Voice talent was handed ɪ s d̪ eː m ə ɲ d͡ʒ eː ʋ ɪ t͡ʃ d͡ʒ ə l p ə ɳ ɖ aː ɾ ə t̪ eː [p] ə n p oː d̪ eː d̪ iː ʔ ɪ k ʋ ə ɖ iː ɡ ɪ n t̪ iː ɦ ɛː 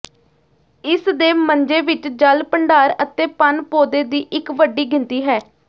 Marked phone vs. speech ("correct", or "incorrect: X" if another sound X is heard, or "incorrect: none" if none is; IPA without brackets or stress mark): correct